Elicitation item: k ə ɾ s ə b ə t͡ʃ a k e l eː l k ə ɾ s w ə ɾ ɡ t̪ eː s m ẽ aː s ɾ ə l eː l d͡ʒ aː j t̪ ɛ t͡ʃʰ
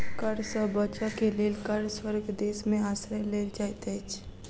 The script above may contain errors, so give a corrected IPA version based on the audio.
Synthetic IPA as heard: k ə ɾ s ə b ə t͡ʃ a k e l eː l k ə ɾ s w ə ɾ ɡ d̪ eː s m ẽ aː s ɾ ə l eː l d͡ʒ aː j t̪ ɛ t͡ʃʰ